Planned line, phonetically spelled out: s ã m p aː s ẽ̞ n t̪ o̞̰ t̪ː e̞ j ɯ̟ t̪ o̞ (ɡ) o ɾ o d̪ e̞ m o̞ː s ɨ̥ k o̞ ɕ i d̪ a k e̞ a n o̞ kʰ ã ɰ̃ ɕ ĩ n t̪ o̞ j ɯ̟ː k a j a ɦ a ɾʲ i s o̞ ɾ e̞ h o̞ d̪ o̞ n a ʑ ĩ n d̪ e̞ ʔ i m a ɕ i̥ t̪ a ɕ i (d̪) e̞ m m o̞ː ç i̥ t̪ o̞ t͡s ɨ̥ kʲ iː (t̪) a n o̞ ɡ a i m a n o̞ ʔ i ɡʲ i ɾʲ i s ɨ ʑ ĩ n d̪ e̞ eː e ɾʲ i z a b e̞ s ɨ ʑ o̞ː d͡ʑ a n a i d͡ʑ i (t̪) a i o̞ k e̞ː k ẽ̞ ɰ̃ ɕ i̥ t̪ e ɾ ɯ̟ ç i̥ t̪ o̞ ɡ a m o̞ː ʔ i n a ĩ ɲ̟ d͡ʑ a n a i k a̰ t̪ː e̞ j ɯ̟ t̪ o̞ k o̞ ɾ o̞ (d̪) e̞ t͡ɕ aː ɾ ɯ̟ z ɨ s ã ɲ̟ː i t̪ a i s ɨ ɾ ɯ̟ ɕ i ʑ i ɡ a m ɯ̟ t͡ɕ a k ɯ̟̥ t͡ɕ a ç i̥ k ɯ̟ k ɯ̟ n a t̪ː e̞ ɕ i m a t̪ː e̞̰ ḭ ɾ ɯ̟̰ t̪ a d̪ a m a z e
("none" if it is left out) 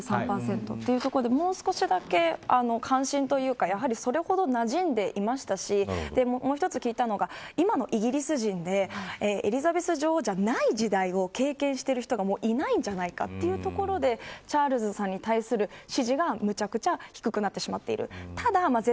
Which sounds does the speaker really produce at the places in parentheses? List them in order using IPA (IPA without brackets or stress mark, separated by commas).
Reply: k, d̪, t̪, d̪, d̪